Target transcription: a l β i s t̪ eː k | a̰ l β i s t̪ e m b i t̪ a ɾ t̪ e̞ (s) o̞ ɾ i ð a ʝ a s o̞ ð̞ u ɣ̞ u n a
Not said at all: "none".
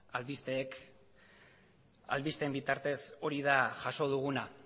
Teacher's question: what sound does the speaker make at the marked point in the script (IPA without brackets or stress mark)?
s